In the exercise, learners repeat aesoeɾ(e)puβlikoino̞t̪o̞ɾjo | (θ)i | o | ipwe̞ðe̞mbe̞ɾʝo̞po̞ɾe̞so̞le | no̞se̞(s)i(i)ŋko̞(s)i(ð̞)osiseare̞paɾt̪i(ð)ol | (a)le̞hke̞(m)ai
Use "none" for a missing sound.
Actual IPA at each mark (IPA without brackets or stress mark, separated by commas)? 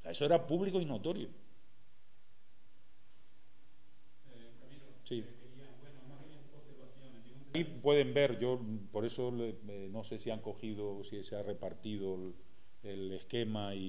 a, s, s, a, x, ð̞, ð, e, m